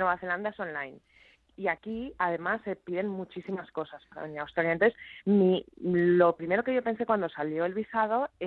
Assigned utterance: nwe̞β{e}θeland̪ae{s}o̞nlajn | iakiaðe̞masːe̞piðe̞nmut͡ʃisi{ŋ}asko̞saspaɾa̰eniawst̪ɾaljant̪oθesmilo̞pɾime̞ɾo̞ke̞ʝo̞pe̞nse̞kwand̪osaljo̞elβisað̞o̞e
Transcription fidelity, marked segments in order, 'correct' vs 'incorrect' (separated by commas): incorrect, correct, incorrect